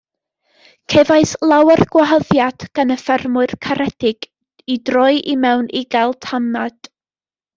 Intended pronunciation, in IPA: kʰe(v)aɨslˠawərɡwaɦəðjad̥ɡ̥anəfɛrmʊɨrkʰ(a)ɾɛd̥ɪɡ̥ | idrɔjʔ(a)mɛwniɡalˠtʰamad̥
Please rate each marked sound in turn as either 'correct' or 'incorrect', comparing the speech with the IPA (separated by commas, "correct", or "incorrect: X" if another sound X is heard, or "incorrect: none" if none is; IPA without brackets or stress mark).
correct, correct, incorrect: i